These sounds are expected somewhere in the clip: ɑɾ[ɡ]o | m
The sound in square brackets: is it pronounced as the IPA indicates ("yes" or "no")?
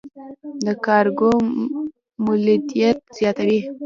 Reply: yes